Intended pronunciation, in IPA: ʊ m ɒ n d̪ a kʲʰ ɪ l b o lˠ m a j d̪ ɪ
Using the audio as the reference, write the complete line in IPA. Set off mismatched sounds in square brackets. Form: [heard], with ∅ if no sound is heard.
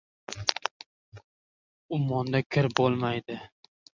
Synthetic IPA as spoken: ʊ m ɒ n d̪ a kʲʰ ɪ [ɾ] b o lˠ m a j d̪ ɪ